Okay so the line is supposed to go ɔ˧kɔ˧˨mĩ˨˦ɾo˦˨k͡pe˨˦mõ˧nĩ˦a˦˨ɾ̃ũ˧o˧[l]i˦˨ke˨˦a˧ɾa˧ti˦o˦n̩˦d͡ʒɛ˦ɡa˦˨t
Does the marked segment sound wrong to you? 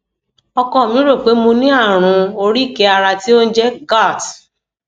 yes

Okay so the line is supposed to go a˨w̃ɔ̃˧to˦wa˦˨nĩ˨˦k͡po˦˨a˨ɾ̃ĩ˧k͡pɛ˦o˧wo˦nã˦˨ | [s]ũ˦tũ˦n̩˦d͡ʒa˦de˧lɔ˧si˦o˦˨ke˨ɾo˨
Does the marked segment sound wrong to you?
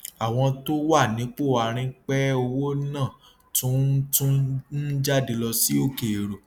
yes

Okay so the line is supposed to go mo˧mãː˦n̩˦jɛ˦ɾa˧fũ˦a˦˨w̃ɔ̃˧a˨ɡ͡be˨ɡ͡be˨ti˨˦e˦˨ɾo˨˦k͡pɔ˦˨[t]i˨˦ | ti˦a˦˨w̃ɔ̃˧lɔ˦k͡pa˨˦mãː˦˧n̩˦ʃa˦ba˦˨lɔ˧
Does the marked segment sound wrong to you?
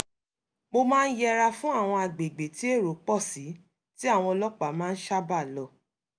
yes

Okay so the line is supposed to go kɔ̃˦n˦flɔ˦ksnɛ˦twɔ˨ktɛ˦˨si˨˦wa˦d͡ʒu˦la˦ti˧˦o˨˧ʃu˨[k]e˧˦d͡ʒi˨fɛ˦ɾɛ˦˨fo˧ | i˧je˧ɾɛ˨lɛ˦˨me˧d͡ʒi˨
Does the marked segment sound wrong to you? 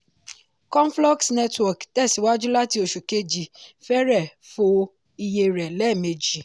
no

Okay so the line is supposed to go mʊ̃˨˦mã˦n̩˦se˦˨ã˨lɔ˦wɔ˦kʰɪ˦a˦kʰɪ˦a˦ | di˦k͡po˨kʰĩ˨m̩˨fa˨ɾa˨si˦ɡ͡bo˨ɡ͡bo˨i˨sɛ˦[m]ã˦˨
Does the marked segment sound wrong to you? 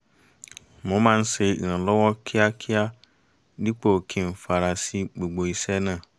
yes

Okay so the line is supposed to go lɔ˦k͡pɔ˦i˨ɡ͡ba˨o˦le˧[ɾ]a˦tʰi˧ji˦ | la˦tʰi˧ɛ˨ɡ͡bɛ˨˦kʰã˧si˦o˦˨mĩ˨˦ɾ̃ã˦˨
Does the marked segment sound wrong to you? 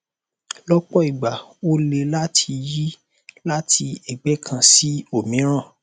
yes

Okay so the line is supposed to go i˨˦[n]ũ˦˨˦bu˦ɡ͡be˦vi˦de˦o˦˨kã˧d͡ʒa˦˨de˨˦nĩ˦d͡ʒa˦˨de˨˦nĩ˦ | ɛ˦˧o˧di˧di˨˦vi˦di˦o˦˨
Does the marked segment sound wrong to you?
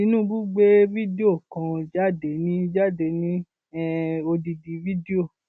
no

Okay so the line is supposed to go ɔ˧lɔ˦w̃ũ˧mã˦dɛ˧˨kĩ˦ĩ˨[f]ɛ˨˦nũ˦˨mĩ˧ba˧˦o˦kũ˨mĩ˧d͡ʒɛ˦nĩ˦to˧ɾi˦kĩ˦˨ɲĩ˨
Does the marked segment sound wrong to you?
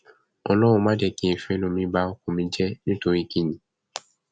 no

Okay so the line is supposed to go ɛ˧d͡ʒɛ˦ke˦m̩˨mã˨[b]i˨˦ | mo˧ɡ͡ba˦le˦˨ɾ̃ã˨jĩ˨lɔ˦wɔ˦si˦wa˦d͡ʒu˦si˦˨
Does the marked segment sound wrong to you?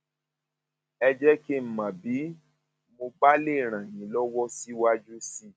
no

